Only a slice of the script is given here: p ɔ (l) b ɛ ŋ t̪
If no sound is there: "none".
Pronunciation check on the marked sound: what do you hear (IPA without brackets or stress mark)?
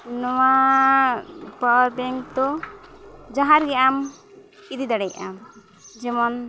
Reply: ɾ